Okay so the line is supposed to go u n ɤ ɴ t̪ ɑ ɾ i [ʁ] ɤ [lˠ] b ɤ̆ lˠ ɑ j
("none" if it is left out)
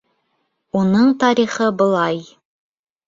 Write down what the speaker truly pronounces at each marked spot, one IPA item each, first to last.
χ, none

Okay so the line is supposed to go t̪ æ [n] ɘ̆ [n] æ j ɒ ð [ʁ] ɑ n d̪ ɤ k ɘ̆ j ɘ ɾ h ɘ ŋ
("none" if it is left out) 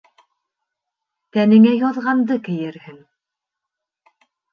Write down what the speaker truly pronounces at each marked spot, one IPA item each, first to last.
n, ŋ, ʁ

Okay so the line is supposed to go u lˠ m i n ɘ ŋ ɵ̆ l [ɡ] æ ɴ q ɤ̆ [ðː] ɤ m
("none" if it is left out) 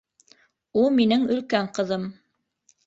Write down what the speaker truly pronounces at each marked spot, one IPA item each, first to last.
k, ð

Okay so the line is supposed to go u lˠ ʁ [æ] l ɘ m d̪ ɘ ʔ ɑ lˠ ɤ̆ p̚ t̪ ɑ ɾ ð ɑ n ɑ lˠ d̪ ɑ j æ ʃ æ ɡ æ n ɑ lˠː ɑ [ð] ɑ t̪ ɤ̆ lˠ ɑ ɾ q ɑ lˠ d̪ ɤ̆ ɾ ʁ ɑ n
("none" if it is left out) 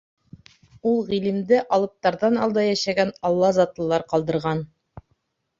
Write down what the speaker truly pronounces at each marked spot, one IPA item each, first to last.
i, z

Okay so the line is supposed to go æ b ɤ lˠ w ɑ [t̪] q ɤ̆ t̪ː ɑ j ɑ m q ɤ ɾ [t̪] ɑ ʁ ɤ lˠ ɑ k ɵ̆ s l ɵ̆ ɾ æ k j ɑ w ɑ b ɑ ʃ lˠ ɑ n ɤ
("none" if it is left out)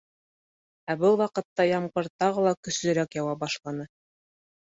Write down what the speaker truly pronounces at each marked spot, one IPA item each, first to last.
none, t̪

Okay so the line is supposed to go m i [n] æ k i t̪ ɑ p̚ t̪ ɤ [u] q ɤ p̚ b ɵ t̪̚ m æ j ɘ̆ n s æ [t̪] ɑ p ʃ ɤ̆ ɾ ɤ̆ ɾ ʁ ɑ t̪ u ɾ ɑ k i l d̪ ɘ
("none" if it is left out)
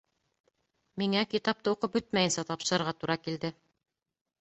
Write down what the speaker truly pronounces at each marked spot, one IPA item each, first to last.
ŋ, u, t̪

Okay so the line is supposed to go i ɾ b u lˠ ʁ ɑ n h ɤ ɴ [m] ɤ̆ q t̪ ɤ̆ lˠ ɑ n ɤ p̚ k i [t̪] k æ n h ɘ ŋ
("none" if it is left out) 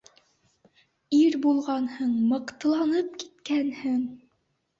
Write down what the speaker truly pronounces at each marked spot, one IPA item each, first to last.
m, t̪

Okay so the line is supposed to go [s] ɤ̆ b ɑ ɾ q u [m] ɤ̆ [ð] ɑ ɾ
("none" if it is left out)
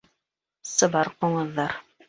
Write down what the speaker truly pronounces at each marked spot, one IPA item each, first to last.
s, ɴ, ðː

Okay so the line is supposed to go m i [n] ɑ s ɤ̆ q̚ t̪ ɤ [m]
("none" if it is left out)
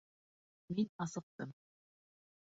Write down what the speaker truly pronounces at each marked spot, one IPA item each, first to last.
n, m

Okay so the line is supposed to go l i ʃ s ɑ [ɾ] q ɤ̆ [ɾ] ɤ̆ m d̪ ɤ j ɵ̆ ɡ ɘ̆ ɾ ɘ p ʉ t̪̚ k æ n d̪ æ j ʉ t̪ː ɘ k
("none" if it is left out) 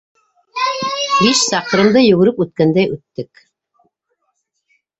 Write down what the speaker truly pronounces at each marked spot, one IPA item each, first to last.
none, ɾ

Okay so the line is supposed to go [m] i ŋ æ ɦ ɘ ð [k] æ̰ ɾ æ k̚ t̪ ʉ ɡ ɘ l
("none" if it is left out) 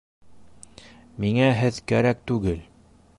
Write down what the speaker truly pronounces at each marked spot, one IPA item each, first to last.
m, k

